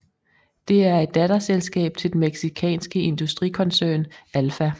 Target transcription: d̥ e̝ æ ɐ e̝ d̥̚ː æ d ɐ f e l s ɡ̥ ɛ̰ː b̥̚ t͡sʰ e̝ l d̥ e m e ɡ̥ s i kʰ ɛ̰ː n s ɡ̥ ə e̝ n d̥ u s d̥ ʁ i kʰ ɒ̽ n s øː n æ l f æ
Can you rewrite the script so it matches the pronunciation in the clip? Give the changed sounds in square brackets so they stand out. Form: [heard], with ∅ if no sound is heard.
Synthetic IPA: d̥ e̝ æ ɐ e̝ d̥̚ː æ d ɐ [s] e l s ɡ̥ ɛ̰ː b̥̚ t͡sʰ e̝ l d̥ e m e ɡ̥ s i kʰ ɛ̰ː n s ɡ̥ ə e̝ n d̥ u s d̥ ʁ i kʰ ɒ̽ n s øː n æ l f æ